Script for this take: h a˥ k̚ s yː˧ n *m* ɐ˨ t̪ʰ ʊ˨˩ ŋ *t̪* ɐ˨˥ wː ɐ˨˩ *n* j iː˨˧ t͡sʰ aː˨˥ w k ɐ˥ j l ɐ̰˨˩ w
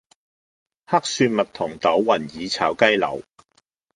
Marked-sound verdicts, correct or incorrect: correct, correct, correct

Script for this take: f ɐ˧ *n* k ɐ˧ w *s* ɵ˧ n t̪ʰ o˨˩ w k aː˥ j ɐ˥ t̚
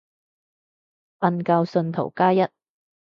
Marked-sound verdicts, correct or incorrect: correct, correct

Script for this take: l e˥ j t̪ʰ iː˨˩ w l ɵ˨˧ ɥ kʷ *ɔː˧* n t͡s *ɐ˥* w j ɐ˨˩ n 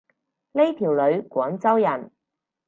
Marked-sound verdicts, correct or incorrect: incorrect: ɔː˨˥, correct

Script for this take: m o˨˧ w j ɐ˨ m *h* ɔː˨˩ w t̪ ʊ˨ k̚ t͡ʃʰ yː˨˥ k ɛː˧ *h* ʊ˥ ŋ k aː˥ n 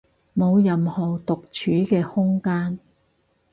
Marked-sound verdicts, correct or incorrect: correct, correct

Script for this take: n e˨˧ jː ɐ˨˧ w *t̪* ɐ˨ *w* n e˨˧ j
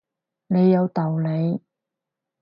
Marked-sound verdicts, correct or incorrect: correct, correct

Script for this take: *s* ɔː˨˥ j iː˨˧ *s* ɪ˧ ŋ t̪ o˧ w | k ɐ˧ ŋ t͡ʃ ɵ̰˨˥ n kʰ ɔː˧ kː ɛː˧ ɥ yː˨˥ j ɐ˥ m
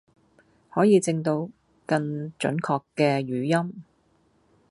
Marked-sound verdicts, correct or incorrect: incorrect: h, incorrect: t͡s

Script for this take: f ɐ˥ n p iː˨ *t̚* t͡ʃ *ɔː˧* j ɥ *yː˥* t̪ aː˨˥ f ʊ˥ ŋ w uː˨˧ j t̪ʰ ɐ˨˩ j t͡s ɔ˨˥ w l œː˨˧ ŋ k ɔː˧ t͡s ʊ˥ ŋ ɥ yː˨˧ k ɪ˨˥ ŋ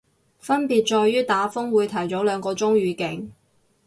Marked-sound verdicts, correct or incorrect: correct, correct, correct

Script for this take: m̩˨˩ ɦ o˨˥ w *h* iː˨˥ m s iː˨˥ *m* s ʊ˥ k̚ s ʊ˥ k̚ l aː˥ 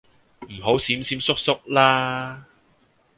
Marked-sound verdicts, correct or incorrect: incorrect: s, correct

